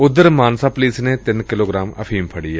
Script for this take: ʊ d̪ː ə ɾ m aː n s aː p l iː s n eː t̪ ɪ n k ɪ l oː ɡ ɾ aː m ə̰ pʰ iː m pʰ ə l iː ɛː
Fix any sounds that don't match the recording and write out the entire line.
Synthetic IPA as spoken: ʊ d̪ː ə ɾ m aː n s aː p l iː s n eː t̪ ɪ n k ɪ l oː ɡ ɾ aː m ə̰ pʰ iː m pʰ ə ɽ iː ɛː